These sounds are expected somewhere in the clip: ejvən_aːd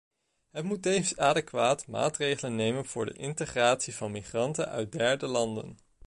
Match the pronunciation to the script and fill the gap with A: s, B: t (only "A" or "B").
A